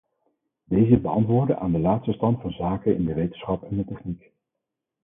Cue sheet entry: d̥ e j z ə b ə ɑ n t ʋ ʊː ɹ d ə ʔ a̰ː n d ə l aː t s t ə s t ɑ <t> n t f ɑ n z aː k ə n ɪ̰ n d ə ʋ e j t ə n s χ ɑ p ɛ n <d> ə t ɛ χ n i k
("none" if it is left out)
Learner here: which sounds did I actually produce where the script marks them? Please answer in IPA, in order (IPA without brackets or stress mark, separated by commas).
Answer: none, d